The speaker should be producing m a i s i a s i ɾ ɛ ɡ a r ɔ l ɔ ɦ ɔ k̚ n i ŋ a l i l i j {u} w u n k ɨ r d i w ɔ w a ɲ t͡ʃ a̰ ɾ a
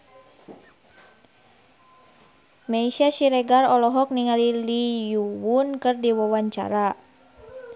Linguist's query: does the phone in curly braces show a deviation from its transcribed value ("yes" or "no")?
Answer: no